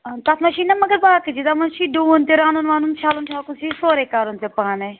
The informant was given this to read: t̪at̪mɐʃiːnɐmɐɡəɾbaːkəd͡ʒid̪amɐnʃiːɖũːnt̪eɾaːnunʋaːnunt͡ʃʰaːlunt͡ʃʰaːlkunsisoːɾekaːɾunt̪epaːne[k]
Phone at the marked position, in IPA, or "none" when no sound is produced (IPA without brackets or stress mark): none